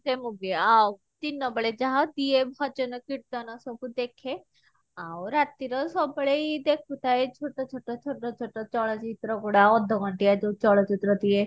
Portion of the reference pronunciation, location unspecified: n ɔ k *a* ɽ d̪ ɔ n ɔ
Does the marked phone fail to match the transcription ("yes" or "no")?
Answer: yes